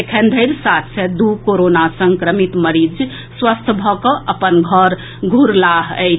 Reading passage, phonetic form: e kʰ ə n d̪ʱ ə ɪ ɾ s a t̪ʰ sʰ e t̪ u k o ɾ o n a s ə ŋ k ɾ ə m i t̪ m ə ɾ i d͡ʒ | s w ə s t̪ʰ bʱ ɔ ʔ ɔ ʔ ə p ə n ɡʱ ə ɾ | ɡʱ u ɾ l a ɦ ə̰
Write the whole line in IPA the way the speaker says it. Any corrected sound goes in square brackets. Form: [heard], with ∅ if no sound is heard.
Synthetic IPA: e kʰ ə n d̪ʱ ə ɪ ɾ s a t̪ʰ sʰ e [d̪] u k o ɾ o n a s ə ŋ k ɾ ə m i t̪ m ə ɾ i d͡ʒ | s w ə s t̪ʰ bʱ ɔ [k] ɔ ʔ ə p ə n ɡʱ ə ɾ | ɡʱ u ɾ l a ɦ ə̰